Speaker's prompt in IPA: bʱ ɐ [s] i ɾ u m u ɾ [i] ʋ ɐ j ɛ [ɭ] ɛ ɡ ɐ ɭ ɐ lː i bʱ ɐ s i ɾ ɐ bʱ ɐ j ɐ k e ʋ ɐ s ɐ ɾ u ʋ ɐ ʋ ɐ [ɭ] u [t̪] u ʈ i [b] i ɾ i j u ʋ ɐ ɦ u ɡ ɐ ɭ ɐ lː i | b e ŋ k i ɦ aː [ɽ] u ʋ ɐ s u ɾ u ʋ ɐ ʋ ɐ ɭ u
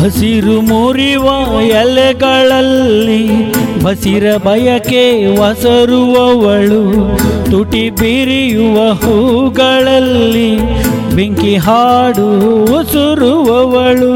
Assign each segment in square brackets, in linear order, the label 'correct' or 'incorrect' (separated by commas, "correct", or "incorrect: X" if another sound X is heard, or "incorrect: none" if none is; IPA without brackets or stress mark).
correct, correct, incorrect: l, correct, correct, correct, correct